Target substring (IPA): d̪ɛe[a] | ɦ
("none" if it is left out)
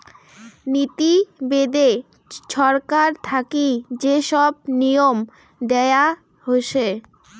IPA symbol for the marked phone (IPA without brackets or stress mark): a